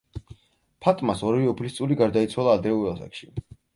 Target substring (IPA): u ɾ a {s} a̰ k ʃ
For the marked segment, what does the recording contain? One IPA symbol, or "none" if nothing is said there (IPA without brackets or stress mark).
s